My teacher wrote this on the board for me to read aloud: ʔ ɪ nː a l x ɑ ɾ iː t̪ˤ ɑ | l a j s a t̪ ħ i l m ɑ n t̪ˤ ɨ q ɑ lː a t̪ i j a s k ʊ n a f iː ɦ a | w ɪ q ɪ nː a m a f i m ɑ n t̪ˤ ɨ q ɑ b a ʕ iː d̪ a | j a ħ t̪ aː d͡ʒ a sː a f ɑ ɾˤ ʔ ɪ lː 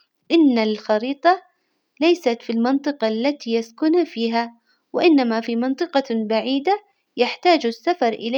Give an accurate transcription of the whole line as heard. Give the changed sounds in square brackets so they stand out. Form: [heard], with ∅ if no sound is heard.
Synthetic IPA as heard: ʔ ɪ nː a l x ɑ ɾ iː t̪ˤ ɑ | l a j s a t̪ [f] i l m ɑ n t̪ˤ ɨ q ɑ lː a t̪ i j a s k ʊ n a f iː ɦ a | w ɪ [ʔ] ɪ nː a m a f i m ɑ n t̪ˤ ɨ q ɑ b a ʕ iː d̪ a | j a ħ t̪ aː d͡ʒ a sː a f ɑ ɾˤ ʔ ɪ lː